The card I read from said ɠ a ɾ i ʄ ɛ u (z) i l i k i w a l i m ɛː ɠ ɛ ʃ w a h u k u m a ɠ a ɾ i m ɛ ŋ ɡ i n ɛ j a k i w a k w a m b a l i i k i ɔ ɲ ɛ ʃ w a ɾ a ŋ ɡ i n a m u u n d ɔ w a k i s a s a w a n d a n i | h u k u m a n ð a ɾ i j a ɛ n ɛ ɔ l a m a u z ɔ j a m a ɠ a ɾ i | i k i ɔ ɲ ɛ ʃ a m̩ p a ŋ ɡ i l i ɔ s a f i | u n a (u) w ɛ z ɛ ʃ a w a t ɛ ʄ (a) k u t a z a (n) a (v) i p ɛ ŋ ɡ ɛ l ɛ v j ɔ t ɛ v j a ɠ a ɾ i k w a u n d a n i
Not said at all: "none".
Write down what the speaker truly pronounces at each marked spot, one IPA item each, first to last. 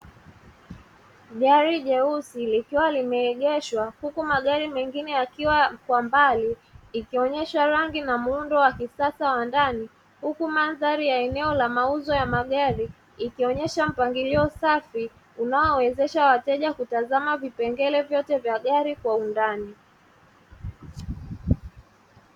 s, ɔ, a, m, v

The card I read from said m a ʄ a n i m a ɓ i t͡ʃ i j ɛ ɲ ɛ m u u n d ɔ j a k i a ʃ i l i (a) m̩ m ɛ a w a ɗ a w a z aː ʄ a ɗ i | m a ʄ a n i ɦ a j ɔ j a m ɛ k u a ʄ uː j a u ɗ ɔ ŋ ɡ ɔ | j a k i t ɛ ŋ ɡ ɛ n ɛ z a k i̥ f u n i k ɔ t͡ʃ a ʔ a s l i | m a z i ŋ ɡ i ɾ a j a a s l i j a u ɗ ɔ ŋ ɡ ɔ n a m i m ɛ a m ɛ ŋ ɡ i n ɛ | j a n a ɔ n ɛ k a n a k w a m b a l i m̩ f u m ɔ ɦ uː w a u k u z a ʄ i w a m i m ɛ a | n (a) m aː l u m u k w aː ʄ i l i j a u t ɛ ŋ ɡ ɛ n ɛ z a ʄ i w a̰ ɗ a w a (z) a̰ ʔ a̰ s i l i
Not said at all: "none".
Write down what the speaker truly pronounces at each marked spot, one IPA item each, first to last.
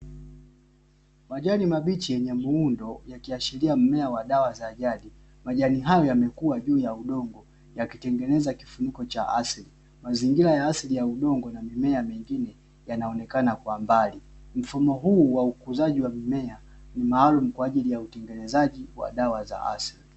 a, i, z

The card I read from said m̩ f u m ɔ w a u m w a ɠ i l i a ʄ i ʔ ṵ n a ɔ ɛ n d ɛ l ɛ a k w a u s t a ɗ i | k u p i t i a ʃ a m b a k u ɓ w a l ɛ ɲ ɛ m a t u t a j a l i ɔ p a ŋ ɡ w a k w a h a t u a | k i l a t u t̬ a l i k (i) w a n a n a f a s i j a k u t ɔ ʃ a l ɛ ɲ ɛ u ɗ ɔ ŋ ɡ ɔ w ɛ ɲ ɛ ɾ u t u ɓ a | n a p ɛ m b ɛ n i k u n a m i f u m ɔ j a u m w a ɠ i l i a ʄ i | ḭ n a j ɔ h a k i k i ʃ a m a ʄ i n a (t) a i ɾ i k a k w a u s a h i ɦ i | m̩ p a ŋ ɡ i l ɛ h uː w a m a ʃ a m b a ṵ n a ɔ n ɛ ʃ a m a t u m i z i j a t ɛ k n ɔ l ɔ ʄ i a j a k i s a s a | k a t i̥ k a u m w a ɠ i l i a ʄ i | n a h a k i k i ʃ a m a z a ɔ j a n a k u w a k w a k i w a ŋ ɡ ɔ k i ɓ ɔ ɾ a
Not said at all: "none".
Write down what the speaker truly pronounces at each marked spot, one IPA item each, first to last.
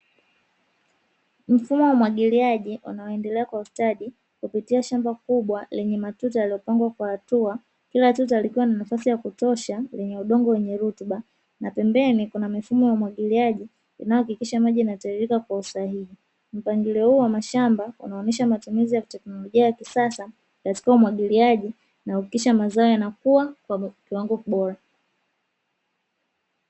i, t

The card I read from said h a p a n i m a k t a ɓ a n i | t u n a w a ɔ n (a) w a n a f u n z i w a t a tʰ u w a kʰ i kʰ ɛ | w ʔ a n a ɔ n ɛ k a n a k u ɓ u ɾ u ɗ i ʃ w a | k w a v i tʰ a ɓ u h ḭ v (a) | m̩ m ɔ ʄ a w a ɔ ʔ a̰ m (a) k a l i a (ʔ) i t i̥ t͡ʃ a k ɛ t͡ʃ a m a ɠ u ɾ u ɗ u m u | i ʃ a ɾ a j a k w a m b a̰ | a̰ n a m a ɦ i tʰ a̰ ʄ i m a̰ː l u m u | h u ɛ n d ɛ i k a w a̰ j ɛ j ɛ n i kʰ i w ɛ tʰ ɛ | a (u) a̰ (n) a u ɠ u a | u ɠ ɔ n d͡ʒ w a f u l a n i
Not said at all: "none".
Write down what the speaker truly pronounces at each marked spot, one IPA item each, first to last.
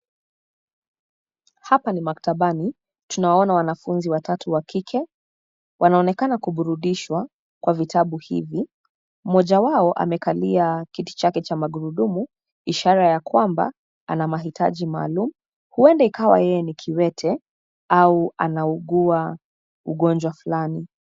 a, i, ɛ, k, u, n

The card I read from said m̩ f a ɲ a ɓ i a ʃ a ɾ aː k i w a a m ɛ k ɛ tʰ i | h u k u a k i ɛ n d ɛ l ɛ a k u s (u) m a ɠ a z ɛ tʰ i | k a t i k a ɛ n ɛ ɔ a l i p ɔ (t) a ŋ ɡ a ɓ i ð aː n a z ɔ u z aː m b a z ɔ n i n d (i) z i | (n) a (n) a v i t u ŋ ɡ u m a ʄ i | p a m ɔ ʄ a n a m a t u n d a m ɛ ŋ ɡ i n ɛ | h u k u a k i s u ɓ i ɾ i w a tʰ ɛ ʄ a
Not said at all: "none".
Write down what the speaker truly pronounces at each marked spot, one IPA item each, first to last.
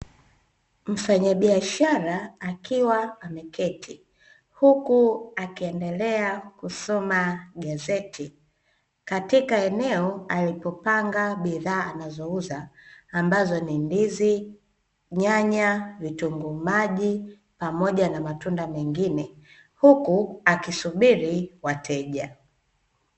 ɔ, p, i, ɲ, ɲ

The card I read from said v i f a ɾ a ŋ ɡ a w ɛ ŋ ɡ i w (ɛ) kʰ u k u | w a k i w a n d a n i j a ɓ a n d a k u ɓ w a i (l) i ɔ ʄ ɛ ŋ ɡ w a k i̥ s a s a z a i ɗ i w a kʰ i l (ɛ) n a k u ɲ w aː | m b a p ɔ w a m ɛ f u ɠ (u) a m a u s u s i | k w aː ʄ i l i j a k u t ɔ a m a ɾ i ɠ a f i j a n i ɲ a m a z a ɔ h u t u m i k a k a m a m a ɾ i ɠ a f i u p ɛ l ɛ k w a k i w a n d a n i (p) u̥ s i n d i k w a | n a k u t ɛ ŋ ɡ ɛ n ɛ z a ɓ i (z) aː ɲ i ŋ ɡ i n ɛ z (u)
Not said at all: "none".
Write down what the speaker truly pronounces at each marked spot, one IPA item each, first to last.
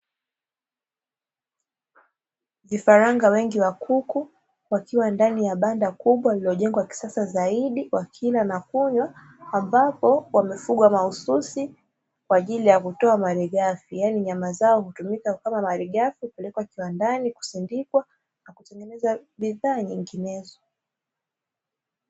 a, l, a, w, k, ð, ɔ

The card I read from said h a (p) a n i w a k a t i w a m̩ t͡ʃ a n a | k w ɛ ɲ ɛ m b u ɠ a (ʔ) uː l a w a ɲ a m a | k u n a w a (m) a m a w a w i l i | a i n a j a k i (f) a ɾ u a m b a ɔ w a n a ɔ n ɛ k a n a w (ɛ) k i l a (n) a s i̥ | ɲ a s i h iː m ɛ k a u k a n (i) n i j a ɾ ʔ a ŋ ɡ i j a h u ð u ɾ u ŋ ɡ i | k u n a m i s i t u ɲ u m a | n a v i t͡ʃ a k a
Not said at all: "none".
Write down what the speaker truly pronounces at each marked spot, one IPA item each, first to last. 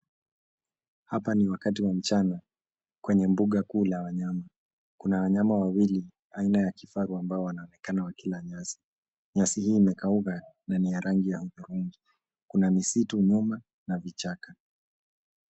p, k, ɲ, f, a, ɲ, a

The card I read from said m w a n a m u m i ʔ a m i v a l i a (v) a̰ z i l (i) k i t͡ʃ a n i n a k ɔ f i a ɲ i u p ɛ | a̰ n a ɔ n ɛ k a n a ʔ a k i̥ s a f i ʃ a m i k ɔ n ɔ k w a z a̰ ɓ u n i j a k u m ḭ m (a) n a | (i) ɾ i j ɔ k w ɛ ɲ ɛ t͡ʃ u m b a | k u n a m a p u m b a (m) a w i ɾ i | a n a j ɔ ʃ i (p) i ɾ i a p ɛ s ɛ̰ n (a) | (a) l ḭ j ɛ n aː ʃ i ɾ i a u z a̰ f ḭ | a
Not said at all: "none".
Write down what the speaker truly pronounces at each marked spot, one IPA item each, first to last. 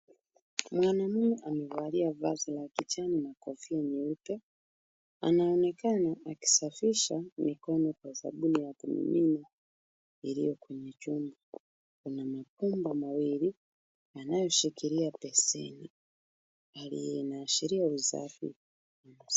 v, a, i, i, m, k, i, a

